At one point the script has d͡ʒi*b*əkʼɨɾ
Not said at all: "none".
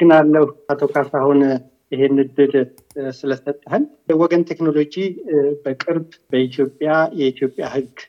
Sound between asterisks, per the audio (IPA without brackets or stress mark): b